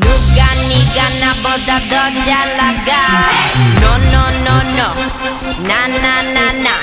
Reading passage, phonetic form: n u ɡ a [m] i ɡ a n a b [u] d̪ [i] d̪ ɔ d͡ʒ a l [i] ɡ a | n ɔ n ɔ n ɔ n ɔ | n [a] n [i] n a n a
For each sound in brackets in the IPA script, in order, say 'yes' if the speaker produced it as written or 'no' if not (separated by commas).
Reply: no, no, no, no, yes, no